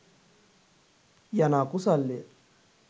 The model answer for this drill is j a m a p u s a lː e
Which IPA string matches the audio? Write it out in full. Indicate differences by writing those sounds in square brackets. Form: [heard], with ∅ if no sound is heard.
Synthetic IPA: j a [n] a [k] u s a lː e